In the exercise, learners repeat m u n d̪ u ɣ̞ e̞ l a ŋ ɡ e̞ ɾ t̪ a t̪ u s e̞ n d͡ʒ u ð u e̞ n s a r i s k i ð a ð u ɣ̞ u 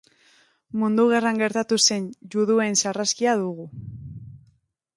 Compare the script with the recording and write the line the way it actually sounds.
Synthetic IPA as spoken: m u n d̪ u ɣ̞ e̞ r a ŋ ɡ e̞ ɾ t̪ a t̪ u s e̞ n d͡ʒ u ð u e̞ n s a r a s k i a ð u ɣ̞ u